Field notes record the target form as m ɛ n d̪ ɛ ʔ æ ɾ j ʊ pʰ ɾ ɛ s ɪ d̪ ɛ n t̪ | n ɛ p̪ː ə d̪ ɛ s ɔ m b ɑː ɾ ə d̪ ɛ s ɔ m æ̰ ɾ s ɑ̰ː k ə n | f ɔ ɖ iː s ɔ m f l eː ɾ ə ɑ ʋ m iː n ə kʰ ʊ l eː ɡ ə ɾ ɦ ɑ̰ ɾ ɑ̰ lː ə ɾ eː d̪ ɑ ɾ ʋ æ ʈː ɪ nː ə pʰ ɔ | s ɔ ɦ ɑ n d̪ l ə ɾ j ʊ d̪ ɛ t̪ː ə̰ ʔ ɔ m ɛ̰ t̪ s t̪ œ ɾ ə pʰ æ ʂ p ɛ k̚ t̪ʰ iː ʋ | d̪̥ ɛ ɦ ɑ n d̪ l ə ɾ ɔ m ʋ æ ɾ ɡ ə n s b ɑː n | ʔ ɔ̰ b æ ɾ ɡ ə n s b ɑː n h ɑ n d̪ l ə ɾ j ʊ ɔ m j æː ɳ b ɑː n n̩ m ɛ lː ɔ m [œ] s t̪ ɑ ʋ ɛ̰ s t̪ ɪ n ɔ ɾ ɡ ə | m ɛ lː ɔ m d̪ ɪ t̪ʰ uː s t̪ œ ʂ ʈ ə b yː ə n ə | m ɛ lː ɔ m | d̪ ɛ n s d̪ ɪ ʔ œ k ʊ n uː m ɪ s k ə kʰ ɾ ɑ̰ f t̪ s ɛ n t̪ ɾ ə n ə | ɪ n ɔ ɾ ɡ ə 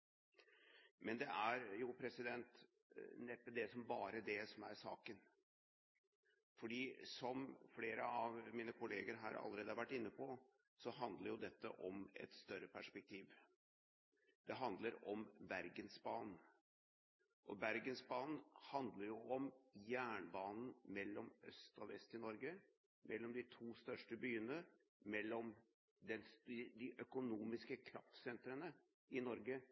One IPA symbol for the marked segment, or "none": œ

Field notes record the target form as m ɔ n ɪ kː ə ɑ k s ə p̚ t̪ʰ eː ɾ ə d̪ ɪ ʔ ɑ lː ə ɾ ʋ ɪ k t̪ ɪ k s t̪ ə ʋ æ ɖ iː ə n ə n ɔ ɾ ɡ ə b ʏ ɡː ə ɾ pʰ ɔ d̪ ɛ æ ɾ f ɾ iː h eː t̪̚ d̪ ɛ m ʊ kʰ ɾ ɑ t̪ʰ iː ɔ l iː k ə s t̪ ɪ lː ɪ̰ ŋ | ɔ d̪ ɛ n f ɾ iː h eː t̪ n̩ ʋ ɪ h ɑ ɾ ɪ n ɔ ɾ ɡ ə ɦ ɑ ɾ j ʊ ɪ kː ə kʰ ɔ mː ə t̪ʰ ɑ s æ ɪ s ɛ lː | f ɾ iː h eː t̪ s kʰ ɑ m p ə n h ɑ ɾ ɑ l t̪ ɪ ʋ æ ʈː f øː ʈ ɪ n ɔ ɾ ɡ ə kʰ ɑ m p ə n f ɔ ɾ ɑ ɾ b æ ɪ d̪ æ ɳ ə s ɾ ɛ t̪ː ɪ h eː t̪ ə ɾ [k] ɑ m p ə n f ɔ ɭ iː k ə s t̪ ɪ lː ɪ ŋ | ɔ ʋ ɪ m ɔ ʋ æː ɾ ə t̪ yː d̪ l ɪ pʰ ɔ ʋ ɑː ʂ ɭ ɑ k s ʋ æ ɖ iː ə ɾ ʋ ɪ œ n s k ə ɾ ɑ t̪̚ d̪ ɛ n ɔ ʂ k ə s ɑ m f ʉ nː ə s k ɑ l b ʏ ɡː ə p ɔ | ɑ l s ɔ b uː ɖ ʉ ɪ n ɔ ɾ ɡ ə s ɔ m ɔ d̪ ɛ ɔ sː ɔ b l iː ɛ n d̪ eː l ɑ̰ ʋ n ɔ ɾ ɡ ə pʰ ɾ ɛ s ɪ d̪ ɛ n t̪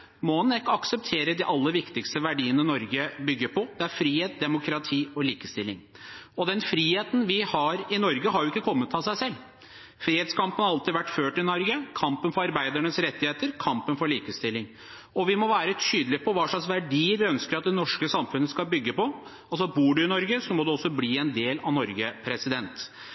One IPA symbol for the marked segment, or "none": kʰ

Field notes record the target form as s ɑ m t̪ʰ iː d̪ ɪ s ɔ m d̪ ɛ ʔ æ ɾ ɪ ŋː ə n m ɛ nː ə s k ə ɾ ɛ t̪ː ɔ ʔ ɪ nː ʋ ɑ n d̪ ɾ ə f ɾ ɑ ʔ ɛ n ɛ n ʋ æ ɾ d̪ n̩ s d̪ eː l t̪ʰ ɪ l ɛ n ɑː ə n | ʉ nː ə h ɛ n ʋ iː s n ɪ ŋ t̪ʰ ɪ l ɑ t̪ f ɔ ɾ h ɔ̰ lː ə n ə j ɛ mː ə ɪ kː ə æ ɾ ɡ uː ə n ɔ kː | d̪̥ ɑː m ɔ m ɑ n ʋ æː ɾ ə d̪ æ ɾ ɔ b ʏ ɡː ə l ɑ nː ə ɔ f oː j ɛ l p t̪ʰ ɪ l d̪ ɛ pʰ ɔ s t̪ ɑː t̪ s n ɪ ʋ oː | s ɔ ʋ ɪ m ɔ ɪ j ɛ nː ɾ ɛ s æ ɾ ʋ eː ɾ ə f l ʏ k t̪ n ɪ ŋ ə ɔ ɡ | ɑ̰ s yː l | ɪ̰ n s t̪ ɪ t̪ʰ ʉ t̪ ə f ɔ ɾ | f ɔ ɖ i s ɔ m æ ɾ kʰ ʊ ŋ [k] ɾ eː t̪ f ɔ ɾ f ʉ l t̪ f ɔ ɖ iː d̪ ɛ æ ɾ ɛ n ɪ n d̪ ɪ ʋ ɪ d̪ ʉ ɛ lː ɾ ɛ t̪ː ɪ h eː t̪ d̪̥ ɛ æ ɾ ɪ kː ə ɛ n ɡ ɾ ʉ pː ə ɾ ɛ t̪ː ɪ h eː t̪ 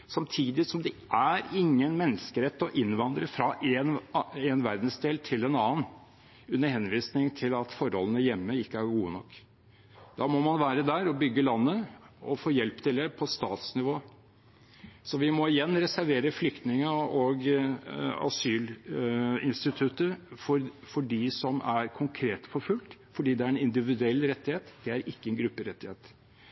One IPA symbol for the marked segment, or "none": kʰ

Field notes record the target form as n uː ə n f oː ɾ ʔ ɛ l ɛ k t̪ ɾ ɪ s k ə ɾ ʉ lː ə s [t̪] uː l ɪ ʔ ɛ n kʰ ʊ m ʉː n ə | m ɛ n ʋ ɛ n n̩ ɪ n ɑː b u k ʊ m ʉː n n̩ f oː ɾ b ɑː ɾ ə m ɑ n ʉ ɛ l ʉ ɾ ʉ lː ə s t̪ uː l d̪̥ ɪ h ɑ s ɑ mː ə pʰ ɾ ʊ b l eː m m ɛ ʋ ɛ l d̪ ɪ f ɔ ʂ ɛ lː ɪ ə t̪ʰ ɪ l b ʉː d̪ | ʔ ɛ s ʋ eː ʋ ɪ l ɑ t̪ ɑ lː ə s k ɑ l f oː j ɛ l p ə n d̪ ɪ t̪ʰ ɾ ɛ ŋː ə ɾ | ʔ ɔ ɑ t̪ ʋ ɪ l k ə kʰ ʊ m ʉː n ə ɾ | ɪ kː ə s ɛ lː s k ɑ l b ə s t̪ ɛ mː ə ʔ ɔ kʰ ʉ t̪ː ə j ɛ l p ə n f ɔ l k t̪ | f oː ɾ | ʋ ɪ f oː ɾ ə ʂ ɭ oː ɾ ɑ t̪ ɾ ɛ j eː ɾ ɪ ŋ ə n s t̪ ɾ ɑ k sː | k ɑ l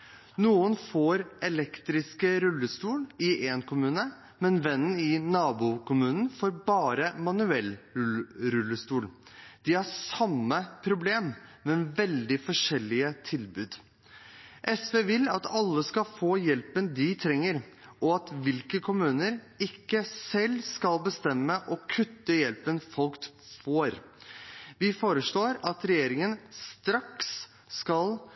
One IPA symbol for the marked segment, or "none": t̪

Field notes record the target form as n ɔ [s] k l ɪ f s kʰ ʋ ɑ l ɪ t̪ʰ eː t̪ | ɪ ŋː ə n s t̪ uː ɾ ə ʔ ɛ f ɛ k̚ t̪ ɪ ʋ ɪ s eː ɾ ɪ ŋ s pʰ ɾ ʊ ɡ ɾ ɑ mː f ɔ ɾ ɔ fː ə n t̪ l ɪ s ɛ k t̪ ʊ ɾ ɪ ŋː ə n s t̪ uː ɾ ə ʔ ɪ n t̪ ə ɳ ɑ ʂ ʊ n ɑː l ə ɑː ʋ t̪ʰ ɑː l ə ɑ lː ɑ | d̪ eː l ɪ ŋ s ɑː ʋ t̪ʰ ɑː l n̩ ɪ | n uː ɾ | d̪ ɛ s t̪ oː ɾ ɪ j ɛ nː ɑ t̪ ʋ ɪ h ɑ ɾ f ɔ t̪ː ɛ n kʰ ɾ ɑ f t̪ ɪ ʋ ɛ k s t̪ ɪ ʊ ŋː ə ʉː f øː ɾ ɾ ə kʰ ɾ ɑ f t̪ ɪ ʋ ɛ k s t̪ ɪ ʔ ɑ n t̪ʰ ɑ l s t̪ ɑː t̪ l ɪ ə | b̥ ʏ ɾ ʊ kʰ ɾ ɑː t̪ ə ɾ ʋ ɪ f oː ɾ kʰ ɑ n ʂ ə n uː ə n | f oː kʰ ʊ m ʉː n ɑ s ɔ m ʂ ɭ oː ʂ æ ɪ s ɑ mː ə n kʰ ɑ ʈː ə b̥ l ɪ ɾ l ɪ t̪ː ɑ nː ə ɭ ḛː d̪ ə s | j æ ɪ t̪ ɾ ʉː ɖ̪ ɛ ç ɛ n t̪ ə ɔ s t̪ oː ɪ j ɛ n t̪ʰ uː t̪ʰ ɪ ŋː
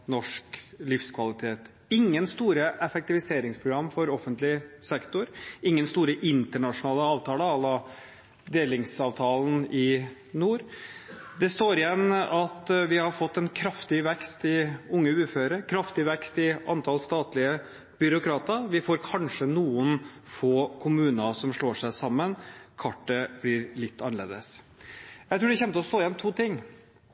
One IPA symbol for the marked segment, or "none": ʂ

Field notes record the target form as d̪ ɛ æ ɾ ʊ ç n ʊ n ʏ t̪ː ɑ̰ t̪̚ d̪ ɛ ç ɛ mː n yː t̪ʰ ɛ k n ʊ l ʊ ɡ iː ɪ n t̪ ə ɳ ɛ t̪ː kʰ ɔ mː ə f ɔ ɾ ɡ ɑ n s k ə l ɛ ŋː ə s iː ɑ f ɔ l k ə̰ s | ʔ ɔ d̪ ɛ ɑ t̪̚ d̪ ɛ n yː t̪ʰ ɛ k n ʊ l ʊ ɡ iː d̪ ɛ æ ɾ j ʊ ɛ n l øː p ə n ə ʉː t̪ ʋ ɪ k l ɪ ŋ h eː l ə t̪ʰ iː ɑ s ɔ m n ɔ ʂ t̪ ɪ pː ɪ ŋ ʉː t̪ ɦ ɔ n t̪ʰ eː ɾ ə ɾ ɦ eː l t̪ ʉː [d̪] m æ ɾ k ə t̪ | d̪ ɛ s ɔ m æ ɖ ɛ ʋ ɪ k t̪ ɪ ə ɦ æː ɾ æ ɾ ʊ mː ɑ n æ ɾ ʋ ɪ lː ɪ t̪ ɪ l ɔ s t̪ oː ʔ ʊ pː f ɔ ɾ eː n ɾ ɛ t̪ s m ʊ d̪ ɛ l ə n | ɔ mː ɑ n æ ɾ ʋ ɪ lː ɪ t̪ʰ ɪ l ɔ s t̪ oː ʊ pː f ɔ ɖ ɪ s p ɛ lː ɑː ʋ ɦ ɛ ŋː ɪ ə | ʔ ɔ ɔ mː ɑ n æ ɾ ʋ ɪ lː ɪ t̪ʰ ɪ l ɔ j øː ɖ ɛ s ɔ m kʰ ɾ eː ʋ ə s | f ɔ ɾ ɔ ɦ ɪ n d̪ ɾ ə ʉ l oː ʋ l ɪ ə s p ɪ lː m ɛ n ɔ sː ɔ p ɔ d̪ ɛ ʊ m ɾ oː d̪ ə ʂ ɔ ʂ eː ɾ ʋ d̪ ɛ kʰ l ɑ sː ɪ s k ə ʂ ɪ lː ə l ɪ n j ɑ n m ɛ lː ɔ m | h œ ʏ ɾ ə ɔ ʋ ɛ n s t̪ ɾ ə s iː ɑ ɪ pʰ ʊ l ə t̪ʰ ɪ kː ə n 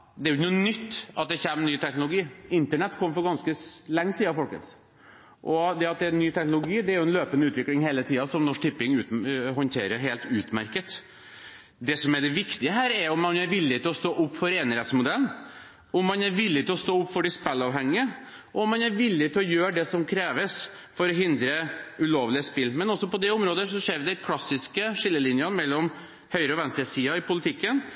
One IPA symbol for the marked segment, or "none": t̪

